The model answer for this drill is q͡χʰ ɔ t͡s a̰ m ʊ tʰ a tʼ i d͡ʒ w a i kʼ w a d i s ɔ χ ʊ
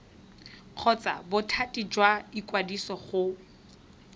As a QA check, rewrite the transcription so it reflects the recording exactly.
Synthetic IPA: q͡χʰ ɔ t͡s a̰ b ʊ tʰ a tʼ i d͡ʒ w a i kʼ w a d i s ɔ χ ʊ